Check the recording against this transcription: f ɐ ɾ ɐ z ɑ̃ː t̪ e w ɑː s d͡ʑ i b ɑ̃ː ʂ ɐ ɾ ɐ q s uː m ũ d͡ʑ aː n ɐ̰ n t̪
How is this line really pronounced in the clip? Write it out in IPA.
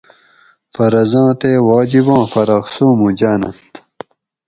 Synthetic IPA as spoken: f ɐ ɾ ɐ z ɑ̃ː t̪ e w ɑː d͡ʑ i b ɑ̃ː f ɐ ɾ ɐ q s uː m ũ d͡ʑ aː n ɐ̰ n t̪